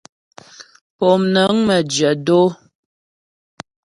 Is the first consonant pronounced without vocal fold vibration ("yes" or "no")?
yes